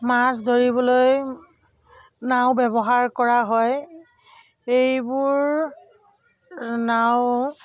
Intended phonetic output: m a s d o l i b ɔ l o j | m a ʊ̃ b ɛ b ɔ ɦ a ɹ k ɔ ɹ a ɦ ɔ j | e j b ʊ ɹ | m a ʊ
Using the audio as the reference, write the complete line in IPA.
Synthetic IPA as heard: m a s d o ɹ i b ɔ l o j | n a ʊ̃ b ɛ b ɔ ɦ a ɹ k ɔ ɹ a ɦ ɔ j | e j b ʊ ɹ | n a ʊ